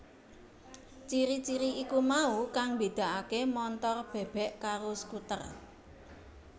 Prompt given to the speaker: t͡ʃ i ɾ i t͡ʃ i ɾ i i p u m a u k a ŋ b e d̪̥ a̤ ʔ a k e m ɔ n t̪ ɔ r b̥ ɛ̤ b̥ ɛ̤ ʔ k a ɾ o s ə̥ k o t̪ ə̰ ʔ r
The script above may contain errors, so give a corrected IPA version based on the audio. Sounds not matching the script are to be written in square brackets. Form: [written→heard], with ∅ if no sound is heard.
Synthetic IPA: t͡ʃ i ɾ i t͡ʃ i ɾ i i [p→k] u m a u k a ŋ b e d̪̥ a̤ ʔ a k e m ɔ n t̪ ɔ r b̥ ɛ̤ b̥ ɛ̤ ʔ k a ɾ o s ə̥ k [o→u] t̪ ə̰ [ʔ→∅] r